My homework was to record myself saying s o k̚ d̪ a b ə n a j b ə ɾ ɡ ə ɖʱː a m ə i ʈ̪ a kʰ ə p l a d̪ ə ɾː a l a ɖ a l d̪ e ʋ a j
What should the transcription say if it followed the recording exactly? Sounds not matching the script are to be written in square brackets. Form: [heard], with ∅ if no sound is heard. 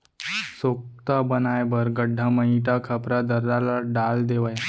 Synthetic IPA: s o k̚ [t̪] a b ə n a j b ə ɾ ɡ ə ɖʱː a m ə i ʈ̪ a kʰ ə p [ɾ] a d̪ ə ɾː a l a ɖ a l d̪ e ʋ a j